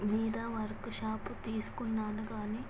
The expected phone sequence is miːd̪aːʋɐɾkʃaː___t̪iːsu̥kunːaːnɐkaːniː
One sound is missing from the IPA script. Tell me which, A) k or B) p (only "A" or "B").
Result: B